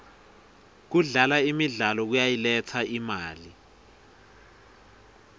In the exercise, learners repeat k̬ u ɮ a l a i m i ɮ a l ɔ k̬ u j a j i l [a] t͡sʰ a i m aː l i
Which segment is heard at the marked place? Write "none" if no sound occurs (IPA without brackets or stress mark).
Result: ɛ